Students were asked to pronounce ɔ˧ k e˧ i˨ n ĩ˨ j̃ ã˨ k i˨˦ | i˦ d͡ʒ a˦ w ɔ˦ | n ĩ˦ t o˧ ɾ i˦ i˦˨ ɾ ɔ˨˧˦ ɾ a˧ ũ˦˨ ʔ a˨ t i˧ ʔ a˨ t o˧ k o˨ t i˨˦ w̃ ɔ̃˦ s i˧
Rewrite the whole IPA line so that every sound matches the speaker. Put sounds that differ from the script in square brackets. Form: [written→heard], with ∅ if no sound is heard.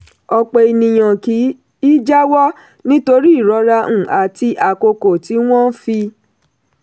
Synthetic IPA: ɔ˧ [k→k͡p] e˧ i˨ n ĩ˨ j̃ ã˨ k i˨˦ | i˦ d͡ʒ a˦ w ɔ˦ | n ĩ˦ t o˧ ɾ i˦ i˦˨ ɾ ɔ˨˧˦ ɾ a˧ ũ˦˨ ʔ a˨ t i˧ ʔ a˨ [t→k] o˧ k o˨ t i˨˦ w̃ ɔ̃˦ [s→f] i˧